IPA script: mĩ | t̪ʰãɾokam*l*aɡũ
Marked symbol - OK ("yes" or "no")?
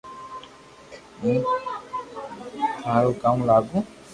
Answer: yes